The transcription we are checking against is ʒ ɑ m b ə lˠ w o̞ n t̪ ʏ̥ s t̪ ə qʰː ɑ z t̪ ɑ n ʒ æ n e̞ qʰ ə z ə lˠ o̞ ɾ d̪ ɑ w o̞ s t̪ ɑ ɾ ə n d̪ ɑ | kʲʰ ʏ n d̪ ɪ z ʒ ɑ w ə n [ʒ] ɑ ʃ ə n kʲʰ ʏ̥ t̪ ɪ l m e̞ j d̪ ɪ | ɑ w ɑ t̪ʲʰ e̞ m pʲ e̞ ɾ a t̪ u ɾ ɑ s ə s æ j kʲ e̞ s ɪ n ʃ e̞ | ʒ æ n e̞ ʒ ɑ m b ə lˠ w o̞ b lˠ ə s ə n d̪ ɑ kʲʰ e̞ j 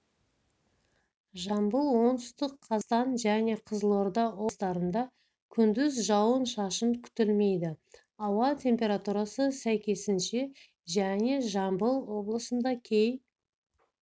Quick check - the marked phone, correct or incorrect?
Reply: incorrect